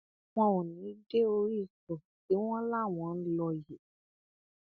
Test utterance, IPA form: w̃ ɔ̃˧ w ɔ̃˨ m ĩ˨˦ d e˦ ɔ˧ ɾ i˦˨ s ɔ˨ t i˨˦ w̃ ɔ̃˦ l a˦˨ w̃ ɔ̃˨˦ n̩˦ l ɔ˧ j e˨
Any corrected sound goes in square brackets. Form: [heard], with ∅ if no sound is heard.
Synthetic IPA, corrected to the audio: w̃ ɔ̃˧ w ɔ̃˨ [n] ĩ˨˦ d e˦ [o˧] ɾ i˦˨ s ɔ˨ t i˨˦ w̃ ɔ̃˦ l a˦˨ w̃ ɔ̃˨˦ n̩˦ l ɔ˧ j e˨